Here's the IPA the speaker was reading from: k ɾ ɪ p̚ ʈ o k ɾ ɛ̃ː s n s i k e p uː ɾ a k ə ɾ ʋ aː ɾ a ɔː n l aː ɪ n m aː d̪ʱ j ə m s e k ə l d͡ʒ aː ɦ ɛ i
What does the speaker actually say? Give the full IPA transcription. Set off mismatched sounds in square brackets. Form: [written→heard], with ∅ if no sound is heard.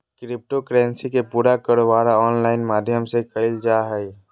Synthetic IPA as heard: k ɾ ɪ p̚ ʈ o k ɾ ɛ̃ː [s→∅] n s i k e p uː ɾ a k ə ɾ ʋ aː ɾ a ɔː n l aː ɪ n m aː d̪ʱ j ə m s e k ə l d͡ʒ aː ɦ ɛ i